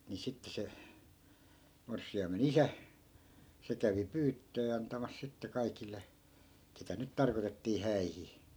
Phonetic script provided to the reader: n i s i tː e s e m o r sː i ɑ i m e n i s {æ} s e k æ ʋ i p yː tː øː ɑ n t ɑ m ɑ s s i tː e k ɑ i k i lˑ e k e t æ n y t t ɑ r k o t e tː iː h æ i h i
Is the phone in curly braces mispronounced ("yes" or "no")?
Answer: no